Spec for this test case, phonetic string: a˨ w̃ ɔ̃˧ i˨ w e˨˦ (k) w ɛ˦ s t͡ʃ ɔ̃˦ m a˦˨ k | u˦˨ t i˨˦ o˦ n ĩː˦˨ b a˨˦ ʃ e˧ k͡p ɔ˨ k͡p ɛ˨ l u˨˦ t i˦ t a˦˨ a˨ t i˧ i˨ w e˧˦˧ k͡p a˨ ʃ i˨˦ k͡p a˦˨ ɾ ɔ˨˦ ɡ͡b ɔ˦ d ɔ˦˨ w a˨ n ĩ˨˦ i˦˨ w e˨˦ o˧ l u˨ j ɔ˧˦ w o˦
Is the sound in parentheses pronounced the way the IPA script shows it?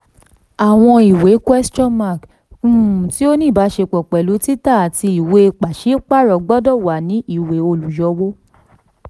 yes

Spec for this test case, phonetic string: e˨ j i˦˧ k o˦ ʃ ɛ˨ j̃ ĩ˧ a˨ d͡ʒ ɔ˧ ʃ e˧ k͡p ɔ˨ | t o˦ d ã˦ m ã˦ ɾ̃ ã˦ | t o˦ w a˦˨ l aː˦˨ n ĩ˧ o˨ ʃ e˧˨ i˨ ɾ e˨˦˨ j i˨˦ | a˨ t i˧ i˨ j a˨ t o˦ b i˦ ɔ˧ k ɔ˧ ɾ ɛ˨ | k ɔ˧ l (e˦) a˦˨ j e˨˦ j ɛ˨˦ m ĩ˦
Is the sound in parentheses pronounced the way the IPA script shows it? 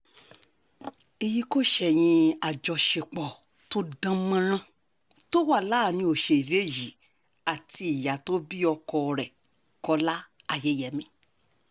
no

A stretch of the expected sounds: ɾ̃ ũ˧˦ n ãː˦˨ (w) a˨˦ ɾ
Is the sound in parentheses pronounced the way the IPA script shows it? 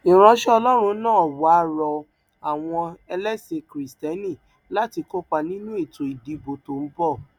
yes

